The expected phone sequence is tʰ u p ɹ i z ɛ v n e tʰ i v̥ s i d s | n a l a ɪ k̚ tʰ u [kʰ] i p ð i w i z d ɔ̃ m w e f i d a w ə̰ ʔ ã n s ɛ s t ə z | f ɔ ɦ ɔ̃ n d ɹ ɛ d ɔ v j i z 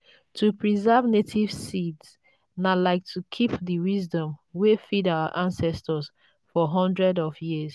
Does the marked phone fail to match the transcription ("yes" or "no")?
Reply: no